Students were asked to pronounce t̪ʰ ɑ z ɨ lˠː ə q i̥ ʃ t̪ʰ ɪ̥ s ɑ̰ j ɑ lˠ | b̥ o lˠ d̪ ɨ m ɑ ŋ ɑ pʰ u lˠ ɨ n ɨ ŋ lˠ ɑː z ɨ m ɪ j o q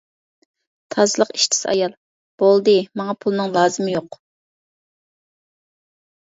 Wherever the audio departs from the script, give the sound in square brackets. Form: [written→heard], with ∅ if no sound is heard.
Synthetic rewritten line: t̪ʰ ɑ z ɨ [lˠː→lˠ] ə q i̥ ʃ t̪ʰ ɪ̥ s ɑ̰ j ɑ lˠ | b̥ o lˠ d̪ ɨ m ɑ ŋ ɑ pʰ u lˠ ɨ n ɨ ŋ lˠ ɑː z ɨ m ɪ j o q